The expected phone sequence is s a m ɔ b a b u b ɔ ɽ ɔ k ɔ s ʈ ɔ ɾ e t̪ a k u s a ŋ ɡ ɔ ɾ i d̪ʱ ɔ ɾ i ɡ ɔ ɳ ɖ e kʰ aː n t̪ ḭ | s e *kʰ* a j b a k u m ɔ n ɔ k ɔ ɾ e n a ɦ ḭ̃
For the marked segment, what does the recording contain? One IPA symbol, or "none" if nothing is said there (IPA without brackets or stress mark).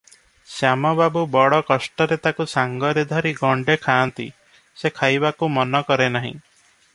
kʰ